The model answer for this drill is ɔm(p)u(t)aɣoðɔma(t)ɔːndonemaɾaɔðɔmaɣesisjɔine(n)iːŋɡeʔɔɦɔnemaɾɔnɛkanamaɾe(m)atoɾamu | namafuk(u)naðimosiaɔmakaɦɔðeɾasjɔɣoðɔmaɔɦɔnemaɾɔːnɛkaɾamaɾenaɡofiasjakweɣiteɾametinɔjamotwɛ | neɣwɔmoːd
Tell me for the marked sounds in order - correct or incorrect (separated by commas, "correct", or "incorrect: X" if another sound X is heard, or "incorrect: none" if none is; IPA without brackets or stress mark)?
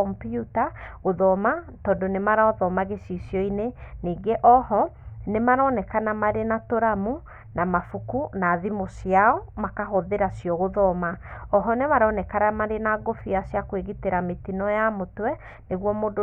correct, correct, correct, correct, incorrect: n, correct